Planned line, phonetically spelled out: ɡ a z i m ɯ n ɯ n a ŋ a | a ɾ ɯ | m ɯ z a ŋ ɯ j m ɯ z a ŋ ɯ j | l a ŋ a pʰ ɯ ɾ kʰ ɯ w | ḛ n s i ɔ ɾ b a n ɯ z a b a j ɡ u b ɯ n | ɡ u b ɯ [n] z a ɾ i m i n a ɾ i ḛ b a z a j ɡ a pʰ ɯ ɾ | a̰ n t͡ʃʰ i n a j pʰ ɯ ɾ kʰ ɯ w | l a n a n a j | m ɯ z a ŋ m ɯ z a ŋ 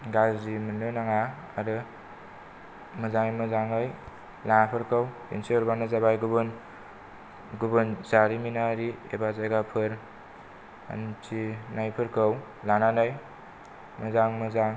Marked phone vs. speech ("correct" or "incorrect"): correct